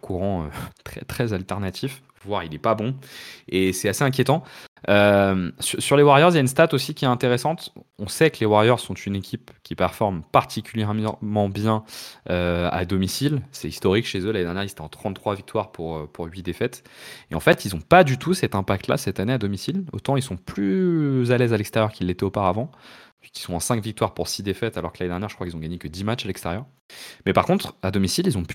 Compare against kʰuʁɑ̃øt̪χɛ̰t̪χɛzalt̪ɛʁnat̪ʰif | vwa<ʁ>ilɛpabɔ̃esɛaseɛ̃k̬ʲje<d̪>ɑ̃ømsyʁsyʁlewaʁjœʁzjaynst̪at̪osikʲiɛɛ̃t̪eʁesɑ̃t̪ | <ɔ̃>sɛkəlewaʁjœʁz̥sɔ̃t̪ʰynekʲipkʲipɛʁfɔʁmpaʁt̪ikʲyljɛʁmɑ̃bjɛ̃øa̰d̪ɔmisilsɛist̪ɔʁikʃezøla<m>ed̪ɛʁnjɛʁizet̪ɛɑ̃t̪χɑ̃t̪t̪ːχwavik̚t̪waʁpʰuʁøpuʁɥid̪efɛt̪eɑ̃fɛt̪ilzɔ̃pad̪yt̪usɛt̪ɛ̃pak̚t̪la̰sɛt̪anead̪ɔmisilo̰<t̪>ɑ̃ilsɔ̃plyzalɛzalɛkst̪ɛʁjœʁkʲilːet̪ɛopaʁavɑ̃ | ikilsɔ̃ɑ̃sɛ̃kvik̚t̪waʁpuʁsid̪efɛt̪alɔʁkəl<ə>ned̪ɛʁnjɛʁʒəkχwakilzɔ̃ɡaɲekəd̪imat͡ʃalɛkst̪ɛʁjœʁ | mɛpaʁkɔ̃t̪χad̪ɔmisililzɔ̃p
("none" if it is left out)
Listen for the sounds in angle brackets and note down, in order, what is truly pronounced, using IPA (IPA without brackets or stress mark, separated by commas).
ʁ, t̪, ɔ̃, n, t̪, a